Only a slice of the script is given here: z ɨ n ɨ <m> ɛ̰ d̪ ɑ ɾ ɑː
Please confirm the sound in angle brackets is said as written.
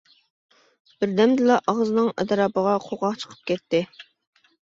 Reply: no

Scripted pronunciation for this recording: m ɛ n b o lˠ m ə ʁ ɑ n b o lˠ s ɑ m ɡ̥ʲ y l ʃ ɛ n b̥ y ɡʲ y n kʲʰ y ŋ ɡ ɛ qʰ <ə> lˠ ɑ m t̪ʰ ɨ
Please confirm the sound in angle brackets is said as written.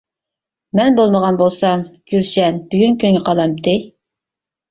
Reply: no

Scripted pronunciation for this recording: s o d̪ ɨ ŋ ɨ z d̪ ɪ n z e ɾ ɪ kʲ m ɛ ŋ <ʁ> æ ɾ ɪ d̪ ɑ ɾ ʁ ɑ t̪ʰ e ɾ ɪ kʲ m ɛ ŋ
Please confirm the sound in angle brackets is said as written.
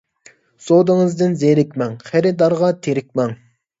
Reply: no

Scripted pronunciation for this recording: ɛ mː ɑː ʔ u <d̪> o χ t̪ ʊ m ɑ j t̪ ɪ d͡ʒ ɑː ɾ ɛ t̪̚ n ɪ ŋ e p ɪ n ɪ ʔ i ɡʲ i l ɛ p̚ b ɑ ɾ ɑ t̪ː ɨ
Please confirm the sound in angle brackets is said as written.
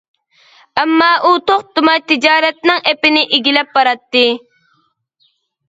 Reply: no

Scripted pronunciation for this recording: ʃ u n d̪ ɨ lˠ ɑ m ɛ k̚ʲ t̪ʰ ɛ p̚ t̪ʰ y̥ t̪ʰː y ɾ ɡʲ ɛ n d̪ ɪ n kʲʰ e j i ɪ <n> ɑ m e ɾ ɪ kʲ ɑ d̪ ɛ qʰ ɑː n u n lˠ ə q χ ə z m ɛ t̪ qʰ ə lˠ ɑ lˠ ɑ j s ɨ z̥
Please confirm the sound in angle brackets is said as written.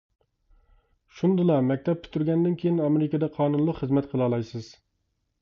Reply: yes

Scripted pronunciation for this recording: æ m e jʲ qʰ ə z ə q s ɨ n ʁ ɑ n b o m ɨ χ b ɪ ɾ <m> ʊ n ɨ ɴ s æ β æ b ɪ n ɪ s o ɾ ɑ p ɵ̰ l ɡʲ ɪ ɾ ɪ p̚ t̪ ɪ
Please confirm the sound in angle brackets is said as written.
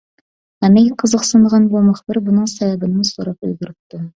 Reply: no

